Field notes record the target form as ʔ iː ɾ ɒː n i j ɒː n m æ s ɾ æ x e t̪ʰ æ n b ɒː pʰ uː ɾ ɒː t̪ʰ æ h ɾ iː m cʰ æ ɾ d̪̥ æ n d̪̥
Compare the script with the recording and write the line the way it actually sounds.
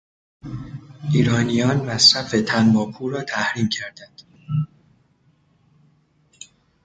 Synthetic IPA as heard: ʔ iː ɾ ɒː n i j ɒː n m æ s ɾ æ f e t̪ʰ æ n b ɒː pʰ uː ɾ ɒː t̪ʰ æ h ɾ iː m cʰ æ ɾ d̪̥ æ n d̪̥